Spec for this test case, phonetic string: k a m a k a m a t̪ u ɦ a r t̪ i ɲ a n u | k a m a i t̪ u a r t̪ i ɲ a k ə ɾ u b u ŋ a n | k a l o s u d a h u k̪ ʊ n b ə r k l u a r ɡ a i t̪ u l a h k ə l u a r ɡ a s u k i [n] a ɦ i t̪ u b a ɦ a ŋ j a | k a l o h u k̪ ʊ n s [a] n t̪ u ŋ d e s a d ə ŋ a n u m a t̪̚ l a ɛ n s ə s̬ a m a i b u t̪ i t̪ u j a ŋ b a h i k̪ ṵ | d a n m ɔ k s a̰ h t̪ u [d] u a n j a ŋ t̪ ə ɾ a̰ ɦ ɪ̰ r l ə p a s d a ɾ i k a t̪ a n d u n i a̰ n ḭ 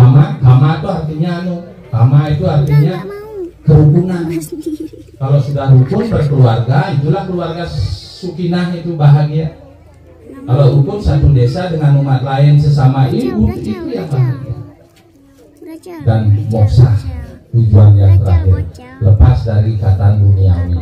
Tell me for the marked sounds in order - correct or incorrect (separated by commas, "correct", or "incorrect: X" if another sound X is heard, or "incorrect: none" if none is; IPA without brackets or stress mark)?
correct, correct, incorrect: d͡ʒ